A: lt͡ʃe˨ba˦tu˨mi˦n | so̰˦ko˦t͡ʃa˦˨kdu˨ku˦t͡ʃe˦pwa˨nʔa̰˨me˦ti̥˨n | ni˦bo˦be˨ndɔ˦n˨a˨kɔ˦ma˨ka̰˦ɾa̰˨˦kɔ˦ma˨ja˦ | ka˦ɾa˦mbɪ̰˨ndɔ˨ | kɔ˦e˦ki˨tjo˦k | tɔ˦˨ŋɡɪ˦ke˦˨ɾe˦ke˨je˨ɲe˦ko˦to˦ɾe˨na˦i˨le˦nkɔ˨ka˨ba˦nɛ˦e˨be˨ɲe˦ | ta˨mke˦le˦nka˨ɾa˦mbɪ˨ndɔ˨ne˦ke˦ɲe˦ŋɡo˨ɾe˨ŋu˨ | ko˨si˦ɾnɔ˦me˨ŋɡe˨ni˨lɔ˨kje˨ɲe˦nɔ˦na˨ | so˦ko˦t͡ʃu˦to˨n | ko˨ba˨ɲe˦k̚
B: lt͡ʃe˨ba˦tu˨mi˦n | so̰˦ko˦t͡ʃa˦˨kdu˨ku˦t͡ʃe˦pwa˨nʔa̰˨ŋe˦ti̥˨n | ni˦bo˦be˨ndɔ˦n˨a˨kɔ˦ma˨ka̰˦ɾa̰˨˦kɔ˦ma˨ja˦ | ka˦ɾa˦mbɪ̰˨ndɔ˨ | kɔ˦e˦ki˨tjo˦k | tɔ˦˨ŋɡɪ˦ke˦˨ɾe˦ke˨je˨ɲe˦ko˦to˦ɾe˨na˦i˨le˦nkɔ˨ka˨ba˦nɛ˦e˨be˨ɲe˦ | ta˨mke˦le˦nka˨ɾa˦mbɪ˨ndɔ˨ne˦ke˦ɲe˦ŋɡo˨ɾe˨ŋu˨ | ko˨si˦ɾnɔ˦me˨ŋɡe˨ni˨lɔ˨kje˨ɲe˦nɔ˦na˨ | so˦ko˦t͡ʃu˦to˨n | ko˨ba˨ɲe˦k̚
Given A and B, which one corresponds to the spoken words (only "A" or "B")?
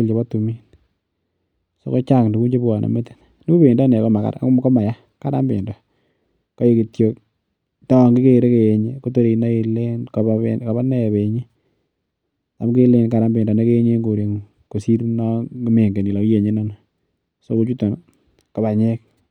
A